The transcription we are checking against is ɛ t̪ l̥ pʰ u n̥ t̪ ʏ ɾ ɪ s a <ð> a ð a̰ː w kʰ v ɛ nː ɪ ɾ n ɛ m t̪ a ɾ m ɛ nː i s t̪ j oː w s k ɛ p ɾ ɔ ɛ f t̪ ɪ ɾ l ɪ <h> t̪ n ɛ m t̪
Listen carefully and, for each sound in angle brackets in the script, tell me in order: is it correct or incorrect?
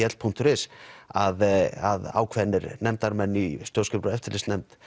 correct, incorrect

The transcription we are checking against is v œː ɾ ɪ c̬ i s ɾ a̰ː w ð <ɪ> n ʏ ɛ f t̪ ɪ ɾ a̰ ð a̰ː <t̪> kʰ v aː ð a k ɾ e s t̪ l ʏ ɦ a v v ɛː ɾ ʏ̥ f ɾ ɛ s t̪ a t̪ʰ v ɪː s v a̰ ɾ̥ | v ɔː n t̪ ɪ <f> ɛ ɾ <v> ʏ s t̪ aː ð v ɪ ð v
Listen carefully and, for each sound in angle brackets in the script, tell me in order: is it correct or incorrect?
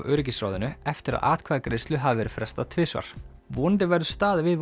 correct, correct, incorrect, incorrect

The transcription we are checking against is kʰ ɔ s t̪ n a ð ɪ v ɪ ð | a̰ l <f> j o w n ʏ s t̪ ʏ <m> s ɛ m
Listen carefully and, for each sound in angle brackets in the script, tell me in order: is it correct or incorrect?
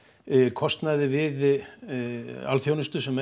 incorrect, incorrect

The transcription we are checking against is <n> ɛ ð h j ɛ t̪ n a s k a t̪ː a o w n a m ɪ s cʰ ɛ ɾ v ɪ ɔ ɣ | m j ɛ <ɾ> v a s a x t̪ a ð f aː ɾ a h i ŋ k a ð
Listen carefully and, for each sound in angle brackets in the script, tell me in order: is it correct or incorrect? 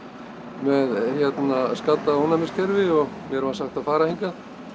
incorrect, correct

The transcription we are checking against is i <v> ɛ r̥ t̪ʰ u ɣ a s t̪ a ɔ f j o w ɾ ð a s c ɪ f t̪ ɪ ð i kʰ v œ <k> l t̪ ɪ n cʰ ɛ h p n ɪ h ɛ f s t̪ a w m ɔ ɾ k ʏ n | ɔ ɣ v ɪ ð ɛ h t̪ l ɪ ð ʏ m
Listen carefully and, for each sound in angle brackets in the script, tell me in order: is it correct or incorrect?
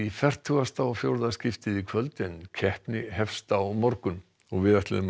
incorrect, incorrect

